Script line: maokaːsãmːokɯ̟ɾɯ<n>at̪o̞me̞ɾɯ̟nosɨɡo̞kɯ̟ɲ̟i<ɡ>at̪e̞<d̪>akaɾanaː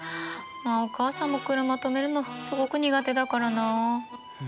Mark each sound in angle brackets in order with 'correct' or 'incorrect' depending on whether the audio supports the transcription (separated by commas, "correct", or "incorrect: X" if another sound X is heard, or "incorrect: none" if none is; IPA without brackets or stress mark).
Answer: incorrect: m, correct, correct